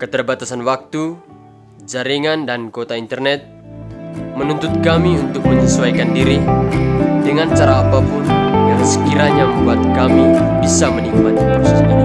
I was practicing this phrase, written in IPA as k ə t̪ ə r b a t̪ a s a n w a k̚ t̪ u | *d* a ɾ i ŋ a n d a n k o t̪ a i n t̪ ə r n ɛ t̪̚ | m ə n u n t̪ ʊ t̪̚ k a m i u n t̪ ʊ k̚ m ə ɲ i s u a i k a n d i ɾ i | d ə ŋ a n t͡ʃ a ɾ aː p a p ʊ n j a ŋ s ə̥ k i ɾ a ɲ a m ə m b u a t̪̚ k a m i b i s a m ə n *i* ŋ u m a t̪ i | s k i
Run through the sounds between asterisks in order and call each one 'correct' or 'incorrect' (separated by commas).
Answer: incorrect, correct